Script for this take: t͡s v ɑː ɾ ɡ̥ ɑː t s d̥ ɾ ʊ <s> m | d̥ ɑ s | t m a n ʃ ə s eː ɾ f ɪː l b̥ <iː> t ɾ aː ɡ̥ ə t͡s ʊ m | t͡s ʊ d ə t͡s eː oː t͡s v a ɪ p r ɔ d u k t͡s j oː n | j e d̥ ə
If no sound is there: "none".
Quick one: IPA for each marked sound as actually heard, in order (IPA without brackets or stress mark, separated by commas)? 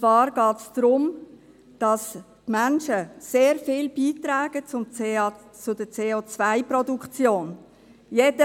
none, iː